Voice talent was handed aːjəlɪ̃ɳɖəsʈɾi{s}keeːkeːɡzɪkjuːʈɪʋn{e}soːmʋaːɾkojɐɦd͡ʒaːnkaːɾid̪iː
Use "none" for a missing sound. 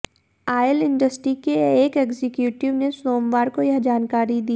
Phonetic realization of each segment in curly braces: none, e

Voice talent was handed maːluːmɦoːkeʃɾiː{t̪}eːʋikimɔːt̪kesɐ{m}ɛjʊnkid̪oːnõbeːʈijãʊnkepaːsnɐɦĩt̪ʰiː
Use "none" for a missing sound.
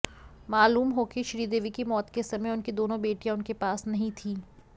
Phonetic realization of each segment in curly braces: d̪, m

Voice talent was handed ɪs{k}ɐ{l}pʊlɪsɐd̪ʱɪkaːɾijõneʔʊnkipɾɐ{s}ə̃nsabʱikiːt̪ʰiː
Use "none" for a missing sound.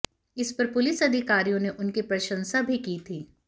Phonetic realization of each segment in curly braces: p, ɾ, ʃ

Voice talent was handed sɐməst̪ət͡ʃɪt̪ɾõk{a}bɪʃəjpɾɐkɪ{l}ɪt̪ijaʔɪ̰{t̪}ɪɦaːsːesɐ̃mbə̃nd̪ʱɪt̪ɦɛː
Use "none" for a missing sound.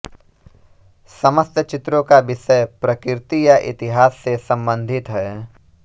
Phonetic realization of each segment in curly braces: a, ɾ, t̪

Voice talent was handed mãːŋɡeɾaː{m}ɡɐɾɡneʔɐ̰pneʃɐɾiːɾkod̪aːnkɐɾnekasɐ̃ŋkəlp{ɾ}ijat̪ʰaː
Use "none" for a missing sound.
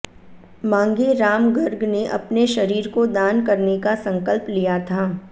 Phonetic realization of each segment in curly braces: m, l

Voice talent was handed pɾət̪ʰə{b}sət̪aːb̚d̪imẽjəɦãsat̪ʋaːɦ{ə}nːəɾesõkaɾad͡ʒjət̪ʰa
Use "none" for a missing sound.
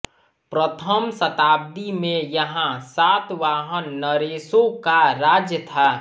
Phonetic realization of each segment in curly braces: m, ə

